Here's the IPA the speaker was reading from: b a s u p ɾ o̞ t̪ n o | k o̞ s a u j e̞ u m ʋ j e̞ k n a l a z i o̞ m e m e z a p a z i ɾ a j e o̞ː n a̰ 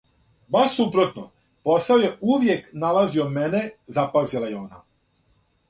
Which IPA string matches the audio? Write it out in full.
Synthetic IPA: b a s u p ɾ o̞ t̪ n o | p o̞ s a o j e̞ u ʋ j e̞ k n a l a z i o̞ m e n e z a p a z i l a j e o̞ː n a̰